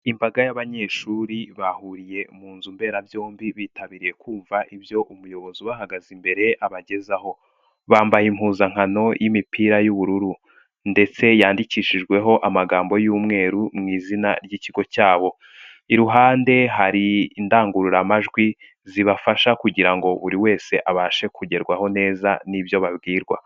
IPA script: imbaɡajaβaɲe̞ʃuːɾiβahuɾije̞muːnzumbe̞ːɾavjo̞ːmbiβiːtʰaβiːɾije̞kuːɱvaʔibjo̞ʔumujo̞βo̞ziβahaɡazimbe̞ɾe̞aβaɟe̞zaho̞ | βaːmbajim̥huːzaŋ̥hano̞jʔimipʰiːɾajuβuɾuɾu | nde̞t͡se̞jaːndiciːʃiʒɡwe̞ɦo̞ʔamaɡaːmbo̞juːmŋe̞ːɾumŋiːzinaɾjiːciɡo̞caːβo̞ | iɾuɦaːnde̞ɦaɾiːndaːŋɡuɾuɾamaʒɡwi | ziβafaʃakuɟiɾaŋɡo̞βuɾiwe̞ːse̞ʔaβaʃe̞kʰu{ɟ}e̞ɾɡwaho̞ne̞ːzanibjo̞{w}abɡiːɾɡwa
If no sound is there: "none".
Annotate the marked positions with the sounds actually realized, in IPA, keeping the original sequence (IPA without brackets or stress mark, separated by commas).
ɟ, β